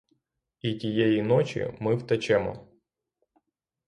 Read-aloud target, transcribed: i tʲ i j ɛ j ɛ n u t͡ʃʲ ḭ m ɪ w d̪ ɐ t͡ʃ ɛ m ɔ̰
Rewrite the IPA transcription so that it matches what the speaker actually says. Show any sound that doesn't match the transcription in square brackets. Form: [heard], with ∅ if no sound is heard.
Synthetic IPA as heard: i tʲ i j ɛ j [i] n [ɔ] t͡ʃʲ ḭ m ɪ w [t̪] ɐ t͡ʃ ɛ m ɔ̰